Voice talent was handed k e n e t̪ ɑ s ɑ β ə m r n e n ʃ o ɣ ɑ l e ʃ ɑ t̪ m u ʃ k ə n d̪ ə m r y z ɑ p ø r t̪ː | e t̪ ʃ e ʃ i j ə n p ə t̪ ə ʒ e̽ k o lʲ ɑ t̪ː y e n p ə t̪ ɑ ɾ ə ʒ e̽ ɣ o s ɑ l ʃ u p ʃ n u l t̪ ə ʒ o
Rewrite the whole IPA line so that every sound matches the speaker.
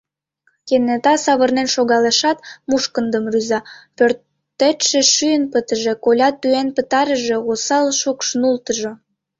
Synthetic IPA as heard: k e n e t̪ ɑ s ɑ β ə r n e n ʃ o ɣ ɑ l e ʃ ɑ t̪ m u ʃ k ə n d̪ ə m r y z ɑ p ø r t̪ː | e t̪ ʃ e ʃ y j ə n p ə t̪ ə ʒ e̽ k o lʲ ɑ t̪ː y e n p ə t̪ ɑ ɾ ə ʒ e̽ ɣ o s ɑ l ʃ u k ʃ n u l t̪ ə ʒ o